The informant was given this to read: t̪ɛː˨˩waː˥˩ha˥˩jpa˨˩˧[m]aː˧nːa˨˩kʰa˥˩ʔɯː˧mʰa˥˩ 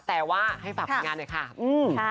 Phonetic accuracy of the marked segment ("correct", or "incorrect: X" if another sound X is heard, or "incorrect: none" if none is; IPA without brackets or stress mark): incorrect: ŋ